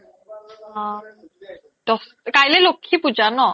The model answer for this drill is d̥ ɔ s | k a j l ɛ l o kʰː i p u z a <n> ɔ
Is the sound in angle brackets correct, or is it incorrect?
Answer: correct